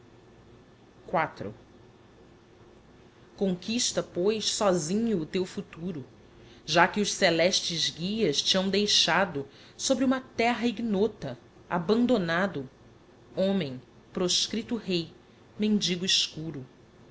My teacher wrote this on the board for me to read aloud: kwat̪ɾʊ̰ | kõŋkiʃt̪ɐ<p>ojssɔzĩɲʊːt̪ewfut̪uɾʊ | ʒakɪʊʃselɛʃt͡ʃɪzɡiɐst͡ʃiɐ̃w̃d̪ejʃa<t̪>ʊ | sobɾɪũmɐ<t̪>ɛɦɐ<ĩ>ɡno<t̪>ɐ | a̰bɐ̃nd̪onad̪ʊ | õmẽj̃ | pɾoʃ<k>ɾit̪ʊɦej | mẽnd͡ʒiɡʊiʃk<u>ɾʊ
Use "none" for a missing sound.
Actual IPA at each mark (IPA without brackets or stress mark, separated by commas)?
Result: p, d̪, t̪, i, t̪, k, u